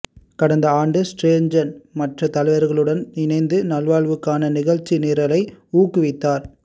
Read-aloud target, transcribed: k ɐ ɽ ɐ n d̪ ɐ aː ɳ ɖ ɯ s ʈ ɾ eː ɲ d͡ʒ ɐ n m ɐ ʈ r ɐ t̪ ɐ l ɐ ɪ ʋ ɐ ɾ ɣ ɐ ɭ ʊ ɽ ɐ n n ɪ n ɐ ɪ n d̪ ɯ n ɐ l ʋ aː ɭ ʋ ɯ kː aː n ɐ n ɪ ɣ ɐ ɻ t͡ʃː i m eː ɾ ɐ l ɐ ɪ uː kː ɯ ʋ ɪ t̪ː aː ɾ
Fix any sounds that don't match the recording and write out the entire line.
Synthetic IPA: k ɐ ɽ ɐ n d̪ ɐ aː ɳ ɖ ɯ s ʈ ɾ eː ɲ d͡ʒ ɐ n m ɐ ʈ r ɐ t̪ ɐ l ɐ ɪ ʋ ɐ ɾ ɣ ɐ ɭ ɯ ɽ ɐ n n ɪ n ɐ ɪ n d̪ ɯ n ɐ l ʋ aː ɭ ʋ ɯ kː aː n ɐ n ɪ ɣ ɐ ɻ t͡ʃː i n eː ɾ ɐ l ɐ ɪ uː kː ɯ ʋ ɪ t̪ː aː ɾ